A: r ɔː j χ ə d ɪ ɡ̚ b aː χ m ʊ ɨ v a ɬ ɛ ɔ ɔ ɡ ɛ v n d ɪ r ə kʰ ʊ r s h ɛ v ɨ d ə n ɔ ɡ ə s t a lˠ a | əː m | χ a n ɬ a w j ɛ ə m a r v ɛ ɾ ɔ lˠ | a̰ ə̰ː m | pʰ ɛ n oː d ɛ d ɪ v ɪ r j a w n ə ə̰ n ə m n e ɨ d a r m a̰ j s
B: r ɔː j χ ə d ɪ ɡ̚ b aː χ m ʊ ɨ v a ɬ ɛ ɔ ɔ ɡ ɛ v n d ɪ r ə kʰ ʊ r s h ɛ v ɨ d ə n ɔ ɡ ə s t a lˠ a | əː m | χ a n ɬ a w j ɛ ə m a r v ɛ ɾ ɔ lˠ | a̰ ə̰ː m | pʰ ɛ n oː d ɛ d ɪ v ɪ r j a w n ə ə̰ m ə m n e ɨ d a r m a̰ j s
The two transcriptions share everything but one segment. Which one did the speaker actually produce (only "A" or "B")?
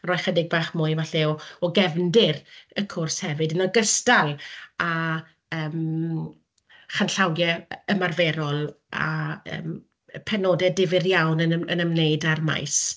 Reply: A